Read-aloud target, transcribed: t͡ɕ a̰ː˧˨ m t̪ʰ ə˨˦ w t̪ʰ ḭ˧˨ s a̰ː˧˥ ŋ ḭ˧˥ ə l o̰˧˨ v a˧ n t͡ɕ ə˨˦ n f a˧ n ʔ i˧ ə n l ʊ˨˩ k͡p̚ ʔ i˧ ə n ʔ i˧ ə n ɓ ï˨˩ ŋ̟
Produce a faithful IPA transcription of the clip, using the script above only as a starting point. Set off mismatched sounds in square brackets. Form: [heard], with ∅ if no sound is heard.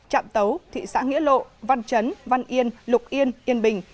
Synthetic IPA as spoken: t͡ɕ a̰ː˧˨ m [t̪] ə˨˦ w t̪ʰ ḭ˧˨ s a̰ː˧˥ ŋ ḭ˧˥ ə l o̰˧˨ v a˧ n t͡ɕ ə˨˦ n [v] a˧ n ʔ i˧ ə n l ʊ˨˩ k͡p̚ ʔ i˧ ə n ʔ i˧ ə n ɓ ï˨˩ ŋ̟